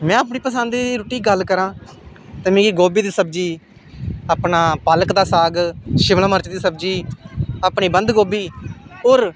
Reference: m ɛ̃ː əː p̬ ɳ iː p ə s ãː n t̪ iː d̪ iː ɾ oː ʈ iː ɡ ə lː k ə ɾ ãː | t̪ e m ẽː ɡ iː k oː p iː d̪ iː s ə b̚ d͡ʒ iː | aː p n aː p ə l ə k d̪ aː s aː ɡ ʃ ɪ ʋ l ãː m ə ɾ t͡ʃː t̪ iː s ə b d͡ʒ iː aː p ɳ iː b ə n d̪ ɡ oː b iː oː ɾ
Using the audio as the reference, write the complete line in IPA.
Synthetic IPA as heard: m ɛ̃ː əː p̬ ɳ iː p ə s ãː n d̪ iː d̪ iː ɾ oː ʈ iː ɡ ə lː k ə ɾ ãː | t̪ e m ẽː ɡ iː ɡ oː b iː d̪ iː s ə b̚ d͡ʒ iː | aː p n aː p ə l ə k d̪ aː s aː ɡ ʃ ɪ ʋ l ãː m ə ɾ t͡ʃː d̪ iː s ə b d͡ʒ iː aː p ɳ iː b ə n d̪ ɡ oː b iː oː ɾ